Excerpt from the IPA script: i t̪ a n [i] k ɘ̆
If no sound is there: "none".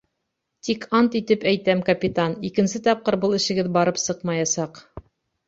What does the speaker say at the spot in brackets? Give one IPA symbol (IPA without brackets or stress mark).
i